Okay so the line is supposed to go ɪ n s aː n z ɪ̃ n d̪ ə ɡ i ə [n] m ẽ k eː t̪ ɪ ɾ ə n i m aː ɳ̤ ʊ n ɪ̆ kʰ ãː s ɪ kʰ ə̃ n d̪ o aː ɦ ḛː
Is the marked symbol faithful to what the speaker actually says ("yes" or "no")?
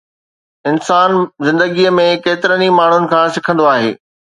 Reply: no